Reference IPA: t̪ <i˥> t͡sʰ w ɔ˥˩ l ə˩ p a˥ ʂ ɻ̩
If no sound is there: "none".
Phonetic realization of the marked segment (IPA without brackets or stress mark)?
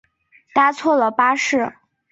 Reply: a˥